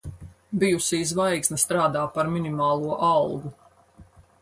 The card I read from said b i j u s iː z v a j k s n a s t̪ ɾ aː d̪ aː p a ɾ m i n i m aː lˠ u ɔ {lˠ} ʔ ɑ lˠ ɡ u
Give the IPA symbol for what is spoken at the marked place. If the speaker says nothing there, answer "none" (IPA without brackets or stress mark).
none